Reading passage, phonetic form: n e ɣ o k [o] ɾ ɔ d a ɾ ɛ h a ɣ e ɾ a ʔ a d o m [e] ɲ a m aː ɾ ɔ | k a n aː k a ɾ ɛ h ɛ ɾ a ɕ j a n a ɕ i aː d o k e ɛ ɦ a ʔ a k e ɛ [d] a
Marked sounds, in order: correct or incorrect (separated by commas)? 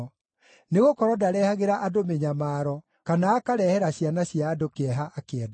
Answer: incorrect, correct, correct